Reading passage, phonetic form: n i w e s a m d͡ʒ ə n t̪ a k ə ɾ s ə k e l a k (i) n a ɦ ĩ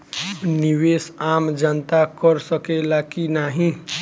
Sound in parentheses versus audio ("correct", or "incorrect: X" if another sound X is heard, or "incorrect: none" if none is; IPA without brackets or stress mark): correct